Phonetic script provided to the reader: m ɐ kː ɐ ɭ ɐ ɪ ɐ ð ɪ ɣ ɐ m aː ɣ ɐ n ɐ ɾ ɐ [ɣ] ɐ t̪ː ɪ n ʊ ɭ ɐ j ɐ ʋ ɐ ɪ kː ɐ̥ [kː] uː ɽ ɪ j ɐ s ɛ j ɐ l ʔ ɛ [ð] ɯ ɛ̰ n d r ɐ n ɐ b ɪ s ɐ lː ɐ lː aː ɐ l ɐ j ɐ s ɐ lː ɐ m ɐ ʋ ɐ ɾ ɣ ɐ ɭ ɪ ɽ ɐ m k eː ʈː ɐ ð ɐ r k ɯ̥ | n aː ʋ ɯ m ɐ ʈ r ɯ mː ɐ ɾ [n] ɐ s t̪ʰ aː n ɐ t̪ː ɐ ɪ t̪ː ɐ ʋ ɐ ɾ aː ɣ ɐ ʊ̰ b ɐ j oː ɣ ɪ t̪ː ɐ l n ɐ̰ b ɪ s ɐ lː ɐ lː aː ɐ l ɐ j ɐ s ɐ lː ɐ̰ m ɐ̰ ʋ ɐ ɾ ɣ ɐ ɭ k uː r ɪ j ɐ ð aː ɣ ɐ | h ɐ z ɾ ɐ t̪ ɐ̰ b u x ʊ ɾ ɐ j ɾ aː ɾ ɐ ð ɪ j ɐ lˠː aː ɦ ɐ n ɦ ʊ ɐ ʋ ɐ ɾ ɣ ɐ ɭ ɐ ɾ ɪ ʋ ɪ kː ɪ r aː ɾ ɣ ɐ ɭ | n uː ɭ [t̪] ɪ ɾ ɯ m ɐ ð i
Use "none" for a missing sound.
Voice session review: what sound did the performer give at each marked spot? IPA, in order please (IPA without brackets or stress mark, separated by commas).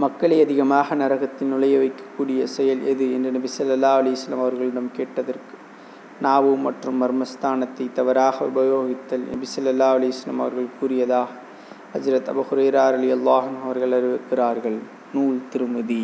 ɣ, kː, ð, m, t̪